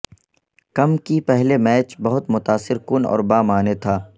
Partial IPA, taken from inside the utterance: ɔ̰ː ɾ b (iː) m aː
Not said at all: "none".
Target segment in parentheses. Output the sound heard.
aː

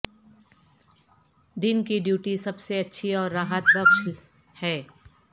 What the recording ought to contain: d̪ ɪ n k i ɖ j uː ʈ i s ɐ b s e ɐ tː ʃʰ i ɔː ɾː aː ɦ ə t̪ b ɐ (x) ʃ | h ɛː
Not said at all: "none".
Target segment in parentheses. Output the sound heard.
k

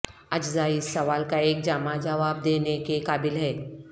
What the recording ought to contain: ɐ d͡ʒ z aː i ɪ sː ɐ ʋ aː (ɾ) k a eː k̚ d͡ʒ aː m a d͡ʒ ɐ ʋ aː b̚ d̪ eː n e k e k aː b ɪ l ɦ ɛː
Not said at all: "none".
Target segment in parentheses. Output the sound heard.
l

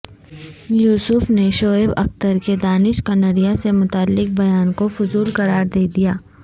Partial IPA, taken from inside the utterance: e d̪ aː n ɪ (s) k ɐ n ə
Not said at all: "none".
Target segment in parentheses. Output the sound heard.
ʃ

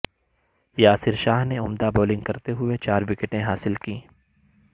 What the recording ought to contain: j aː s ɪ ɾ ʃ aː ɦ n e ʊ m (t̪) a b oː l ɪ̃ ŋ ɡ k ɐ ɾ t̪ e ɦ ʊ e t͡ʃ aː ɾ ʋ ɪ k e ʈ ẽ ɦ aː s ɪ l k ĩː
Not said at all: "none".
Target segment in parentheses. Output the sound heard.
d̪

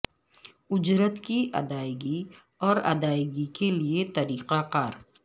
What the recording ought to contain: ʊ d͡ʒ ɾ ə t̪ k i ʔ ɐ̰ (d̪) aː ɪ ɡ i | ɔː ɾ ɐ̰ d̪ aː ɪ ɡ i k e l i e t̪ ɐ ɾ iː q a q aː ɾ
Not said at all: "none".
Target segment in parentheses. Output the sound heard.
d̪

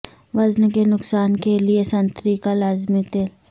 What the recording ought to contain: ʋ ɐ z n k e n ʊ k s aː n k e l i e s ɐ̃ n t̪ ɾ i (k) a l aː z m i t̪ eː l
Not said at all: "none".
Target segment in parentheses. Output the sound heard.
k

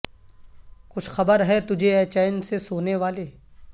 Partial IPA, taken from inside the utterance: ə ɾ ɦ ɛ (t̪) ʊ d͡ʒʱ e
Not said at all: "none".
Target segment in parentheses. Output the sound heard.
t̪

